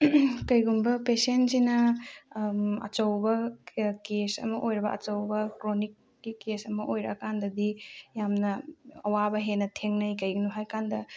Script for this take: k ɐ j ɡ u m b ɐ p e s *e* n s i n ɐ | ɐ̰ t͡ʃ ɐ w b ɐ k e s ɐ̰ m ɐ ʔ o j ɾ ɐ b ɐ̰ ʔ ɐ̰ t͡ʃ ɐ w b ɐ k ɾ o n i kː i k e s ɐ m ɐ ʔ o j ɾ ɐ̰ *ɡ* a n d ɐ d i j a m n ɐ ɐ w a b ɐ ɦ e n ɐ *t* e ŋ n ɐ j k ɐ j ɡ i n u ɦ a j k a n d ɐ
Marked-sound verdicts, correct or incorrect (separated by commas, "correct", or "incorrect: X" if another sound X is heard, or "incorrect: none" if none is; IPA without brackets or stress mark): correct, incorrect: k, incorrect: tʰ